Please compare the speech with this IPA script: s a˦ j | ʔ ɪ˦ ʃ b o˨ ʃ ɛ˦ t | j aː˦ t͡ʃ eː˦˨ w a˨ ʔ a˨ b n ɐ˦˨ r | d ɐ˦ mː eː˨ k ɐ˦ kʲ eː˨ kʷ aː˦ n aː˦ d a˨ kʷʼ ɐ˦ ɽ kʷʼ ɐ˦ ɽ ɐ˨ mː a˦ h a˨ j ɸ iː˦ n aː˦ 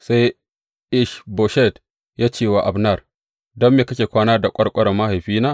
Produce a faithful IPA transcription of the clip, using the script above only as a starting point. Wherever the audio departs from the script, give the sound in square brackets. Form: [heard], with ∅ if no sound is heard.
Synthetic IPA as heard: s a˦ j | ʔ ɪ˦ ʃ b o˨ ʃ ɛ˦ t | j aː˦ t͡ʃ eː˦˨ w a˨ ʔ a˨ b n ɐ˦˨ r | d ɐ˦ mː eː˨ k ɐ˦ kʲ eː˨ kʷ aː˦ n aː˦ d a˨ kʷʼ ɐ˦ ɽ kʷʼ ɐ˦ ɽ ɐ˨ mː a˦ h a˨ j ɸ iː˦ n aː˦